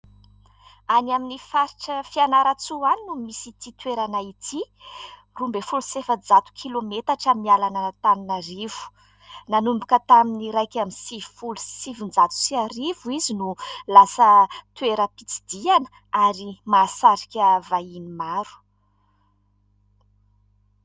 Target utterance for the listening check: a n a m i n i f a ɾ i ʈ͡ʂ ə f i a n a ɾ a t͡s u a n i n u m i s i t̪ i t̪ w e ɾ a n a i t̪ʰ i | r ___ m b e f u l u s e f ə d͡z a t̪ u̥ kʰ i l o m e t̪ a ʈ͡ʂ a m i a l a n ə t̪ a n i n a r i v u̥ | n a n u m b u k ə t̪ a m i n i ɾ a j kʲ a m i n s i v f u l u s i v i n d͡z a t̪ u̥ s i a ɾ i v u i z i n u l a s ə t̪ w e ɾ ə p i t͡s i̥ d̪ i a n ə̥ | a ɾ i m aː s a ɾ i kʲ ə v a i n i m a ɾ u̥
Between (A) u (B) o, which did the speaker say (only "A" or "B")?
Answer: A